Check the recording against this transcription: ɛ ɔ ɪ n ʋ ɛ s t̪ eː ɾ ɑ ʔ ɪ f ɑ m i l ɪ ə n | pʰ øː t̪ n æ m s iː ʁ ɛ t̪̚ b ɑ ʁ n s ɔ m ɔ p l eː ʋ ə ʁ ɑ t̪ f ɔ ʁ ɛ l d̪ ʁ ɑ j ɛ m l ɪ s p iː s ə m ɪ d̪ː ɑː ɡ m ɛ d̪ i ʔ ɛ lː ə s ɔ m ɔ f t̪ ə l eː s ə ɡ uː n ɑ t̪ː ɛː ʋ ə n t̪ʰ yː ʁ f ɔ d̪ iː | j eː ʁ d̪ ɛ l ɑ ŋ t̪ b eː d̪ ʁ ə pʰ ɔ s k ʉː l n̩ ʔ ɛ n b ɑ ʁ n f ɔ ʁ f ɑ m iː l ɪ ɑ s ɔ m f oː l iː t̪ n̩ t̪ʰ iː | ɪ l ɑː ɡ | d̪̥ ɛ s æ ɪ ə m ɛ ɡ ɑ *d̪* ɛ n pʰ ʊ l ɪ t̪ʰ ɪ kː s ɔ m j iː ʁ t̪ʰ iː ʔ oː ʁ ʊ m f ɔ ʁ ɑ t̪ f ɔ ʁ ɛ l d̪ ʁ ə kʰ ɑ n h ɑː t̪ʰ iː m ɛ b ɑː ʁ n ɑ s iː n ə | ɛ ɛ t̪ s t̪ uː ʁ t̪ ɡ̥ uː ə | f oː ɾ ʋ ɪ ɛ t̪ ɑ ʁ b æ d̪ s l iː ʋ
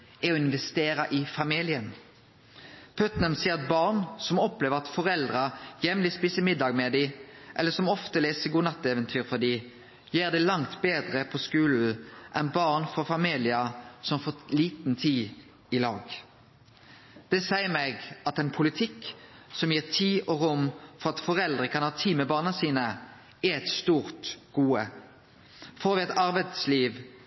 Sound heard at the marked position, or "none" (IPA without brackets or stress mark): t̪